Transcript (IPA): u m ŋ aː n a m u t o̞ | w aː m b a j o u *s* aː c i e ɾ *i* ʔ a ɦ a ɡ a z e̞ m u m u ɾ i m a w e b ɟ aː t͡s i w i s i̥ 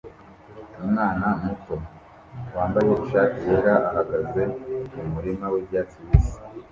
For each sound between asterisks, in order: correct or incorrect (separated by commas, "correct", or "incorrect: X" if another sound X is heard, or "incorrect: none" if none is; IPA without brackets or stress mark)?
incorrect: ʃ, incorrect: a